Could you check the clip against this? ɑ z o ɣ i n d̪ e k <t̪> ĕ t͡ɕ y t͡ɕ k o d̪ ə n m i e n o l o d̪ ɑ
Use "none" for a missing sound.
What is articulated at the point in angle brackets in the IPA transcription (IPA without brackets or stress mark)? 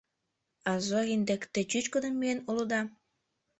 t̪